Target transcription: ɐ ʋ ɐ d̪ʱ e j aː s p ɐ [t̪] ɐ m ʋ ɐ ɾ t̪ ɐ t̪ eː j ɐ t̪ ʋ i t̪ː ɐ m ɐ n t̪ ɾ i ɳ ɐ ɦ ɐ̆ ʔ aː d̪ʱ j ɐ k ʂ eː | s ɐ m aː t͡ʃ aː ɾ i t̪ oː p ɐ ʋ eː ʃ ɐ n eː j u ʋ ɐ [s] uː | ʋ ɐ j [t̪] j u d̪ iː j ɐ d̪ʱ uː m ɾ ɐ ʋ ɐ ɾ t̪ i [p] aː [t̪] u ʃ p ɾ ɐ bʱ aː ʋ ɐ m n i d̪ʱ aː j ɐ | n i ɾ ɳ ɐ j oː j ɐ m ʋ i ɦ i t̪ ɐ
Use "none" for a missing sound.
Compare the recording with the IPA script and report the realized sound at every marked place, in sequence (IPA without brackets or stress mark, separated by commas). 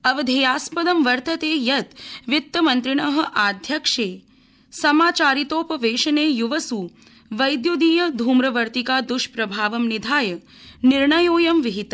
d̪, s, d̪, k, d̪